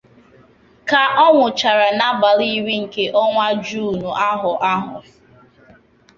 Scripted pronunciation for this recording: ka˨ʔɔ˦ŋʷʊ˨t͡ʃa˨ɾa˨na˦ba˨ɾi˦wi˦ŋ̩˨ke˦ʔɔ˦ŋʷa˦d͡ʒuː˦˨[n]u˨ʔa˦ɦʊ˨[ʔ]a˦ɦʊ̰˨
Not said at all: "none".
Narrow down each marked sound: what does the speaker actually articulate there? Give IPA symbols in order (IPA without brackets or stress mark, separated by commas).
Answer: n, ʔ